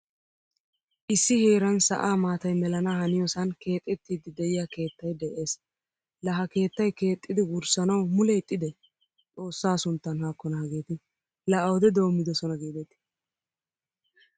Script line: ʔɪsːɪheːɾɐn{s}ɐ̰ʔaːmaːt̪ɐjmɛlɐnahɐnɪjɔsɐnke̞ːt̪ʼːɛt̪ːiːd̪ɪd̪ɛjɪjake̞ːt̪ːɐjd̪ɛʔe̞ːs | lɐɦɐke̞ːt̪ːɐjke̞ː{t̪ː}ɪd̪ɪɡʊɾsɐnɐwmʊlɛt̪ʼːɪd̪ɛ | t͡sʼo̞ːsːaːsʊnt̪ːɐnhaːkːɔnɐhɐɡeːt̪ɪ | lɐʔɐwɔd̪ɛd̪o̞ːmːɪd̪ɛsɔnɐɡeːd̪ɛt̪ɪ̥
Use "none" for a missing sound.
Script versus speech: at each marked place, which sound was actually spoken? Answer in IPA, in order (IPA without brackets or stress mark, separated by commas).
s, t̪ʼː